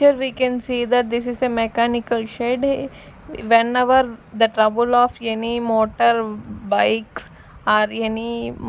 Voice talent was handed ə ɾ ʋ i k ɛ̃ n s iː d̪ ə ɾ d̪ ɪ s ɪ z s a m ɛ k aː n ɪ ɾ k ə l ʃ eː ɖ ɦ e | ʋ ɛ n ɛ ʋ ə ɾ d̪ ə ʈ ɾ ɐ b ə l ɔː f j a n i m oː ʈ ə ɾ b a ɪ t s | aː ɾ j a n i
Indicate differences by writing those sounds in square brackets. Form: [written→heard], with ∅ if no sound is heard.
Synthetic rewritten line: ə ɾ ʋ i k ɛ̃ n s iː d̪ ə ɾ d̪ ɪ s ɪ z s [a→e] m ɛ k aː n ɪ [ɾ→∅] k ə l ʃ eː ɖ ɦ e | ʋ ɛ n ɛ ʋ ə ɾ d̪ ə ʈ ɾ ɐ b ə l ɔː f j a n i m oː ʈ ə ɾ b a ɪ [t→k] s | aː ɾ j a n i